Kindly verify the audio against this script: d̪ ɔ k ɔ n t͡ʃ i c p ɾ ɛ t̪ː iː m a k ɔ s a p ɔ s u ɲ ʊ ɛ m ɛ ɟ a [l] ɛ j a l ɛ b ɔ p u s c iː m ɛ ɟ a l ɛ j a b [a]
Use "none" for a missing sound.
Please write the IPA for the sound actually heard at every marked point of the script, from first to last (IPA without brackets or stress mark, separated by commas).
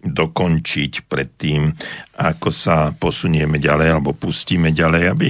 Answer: l, i